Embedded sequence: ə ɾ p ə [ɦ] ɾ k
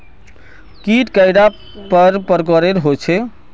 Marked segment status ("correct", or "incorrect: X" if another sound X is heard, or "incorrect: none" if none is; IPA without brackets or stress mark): incorrect: none